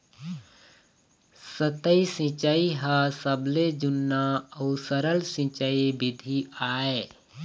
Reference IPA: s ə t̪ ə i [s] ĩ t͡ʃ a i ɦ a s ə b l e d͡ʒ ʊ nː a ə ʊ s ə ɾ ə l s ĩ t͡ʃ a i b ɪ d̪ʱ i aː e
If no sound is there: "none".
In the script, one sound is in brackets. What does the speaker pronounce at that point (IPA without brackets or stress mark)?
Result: s